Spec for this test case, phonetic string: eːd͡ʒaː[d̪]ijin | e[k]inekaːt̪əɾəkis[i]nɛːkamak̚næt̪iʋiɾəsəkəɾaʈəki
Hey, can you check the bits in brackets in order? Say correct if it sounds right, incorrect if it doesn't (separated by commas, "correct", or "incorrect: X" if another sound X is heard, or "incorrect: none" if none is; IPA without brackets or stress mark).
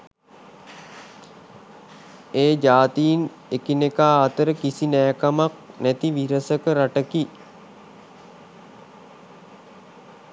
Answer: incorrect: t̪, correct, correct